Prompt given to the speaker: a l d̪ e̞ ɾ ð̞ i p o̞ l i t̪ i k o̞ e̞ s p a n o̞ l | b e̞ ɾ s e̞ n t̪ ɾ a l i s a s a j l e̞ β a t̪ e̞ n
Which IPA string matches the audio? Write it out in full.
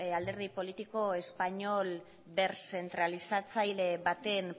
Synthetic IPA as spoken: a l d̪ e̞ ɾ ð̞ i p o̞ l i t̪ i k o̞ e̞ s p a ɲ o̞ l | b e̞ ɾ s e̞ n t̪ ɾ a l i s a t͡s a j l e̞ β a t̪ e̞ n